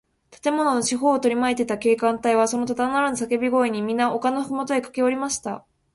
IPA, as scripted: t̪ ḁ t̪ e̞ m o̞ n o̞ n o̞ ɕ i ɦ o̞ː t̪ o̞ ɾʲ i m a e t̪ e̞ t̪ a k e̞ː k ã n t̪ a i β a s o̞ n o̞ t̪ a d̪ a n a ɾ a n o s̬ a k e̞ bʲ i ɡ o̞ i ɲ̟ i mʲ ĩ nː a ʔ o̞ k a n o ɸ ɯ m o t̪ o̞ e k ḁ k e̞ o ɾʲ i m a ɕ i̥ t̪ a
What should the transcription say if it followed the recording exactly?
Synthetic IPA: t̪ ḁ t̪ e̞ m o̞ n o̞ n o̞ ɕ i ɦ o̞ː t̪ o̞ ɾʲ i m a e t̪ e̞ t̪ a k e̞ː k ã n t̪ a i β a s o̞ n o̞ t̪ a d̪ a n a ɾ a n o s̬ a k e̞ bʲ i ɡ o̞ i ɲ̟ i mʲ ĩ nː a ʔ o̞ k a n o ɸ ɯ m o t̪ o̞ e k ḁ k e̞ o ɾʲ i m a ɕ i̥ t̪ a